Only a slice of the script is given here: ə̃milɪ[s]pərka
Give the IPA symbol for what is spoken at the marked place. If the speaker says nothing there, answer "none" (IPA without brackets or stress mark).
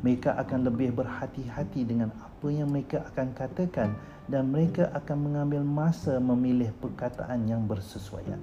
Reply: h